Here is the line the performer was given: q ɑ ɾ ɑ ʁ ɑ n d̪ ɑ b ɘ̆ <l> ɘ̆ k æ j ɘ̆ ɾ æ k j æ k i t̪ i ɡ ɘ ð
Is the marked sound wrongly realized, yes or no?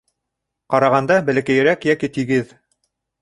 no